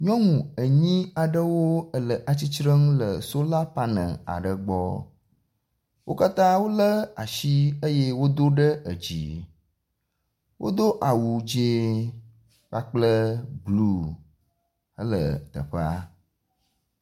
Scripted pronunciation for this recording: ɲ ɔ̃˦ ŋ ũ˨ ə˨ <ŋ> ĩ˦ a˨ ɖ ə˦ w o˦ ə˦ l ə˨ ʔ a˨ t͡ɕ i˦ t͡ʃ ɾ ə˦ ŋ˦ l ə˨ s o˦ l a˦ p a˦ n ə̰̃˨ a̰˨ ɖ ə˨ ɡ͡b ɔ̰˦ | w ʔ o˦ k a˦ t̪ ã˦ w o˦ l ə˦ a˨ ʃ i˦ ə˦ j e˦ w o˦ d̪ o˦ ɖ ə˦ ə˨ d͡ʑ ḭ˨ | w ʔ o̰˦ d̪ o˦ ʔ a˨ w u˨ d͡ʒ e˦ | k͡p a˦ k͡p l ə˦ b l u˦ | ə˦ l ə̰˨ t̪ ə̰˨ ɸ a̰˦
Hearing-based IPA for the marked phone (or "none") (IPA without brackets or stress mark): ɲ